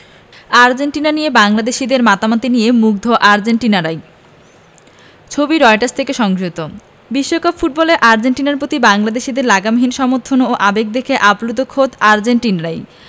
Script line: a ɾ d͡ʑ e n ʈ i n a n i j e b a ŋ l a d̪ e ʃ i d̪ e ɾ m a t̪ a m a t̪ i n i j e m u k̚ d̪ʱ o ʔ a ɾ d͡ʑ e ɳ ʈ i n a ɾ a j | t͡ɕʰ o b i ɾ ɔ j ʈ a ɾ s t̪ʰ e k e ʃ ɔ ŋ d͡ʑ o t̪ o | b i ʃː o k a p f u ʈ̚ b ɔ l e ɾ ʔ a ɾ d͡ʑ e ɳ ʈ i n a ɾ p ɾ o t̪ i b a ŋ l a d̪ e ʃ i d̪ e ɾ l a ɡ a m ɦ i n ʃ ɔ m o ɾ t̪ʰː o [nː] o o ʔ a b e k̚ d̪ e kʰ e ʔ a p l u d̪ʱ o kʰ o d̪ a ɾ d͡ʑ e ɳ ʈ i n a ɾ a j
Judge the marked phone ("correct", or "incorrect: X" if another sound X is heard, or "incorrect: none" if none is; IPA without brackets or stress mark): incorrect: n